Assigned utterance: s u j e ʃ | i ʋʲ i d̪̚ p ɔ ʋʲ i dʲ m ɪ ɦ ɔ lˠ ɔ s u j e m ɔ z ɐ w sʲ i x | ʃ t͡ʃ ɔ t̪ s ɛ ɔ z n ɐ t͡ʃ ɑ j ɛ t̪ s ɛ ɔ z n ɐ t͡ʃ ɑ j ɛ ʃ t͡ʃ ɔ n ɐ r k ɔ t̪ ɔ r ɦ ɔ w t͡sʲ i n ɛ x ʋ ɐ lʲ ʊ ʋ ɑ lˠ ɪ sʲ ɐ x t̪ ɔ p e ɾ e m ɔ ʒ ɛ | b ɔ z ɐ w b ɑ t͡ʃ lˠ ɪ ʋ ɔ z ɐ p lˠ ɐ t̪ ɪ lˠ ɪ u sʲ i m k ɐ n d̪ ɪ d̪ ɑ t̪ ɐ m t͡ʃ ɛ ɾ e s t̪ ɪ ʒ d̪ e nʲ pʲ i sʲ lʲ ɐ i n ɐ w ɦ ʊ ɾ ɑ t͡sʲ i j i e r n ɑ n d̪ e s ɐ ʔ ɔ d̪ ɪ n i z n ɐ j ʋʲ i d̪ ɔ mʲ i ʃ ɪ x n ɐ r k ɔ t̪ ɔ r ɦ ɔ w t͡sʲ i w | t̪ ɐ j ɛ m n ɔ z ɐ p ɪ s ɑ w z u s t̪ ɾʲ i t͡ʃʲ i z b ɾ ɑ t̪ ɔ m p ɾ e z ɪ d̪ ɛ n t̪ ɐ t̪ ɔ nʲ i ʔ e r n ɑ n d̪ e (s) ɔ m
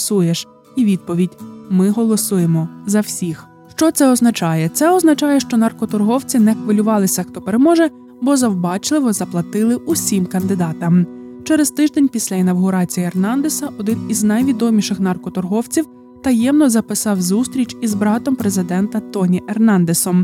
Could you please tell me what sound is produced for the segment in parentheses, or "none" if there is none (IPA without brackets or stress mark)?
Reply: s